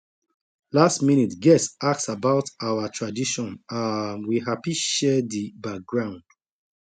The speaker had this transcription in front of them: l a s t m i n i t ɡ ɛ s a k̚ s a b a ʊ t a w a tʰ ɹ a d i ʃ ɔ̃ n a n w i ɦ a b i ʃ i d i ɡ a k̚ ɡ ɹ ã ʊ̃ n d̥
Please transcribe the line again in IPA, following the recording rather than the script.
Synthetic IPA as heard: l a s t m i n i t ɡ ɛ s a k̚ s a b a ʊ t a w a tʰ ɹ a d i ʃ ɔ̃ n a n w i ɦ a p i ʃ ɛ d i b a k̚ ɡ ɹ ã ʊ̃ n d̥